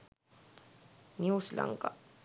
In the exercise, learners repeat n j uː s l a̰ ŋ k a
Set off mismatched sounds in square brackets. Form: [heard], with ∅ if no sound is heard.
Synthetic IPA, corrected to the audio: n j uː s l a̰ ŋ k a